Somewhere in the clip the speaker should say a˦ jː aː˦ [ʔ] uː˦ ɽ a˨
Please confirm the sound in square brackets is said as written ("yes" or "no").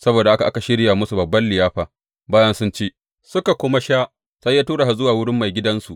no